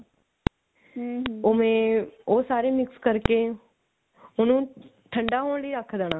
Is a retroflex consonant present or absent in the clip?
present